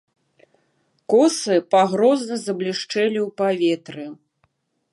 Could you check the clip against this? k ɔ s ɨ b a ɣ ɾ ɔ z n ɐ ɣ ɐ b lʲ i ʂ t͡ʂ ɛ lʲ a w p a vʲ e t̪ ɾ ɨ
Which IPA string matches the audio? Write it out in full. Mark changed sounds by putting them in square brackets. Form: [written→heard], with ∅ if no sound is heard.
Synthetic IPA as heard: k ɔ s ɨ [b→p] a ɣ ɾ ɔ z n ɐ [ɣ→z] ɐ b lʲ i ʂ t͡ʂ ɛ lʲ [a→i] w p a vʲ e t̪ ɾ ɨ